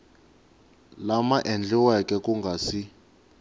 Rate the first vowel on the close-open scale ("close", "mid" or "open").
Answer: open